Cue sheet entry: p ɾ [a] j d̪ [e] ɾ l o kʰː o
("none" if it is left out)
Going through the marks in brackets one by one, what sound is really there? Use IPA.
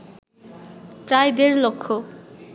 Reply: a, e

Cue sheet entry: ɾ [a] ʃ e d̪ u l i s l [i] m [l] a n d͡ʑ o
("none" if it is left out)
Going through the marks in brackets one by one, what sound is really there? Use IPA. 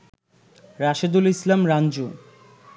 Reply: a, a, ɾ

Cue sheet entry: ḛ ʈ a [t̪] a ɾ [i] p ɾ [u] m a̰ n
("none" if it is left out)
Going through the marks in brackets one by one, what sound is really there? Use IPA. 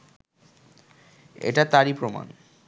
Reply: t̪, i, o

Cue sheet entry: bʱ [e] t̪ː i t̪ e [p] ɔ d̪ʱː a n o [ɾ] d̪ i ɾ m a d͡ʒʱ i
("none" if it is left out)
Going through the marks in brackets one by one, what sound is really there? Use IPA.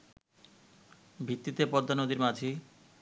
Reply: i, p, none

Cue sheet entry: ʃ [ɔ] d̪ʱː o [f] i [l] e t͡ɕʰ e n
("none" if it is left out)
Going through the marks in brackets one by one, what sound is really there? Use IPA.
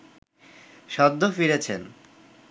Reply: ɔ, f, ɾ

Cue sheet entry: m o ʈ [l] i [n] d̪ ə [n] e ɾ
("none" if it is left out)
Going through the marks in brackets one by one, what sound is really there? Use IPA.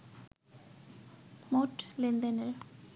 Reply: l, n, n

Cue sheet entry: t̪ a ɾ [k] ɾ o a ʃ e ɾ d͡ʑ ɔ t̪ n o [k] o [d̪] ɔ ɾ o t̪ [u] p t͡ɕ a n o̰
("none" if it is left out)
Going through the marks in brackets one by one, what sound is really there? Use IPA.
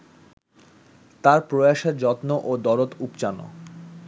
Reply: p, ʔ, d̪, u

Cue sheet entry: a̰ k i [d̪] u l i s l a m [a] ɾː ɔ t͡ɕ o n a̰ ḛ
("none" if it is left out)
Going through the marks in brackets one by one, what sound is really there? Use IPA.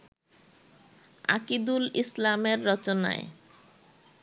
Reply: d̪, e

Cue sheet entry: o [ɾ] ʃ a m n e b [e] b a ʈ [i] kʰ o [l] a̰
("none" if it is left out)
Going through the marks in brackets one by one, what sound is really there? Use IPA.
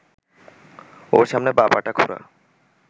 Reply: ɾ, a, a, ɾ

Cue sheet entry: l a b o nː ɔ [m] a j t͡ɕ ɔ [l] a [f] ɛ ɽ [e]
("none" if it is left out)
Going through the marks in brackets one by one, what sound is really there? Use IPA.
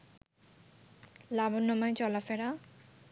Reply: m, l, f, a

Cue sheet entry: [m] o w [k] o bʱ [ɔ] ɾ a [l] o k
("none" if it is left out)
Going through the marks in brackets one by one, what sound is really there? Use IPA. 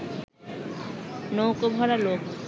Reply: n, k, ɔ, l

